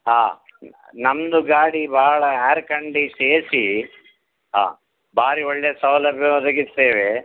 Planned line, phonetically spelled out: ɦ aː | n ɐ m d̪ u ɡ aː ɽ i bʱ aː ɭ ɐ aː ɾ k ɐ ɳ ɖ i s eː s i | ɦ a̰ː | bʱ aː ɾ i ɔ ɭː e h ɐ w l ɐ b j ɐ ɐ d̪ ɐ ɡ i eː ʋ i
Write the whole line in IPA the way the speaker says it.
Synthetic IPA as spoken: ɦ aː | n ɐ m d̪ u ɡ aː ɽ i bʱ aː ɭ ɐ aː ɾ k ɐ ɳ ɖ i s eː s i | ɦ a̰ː | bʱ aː ɾ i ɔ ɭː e s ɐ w l ɐ b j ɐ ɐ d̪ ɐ ɡ i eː ʋ e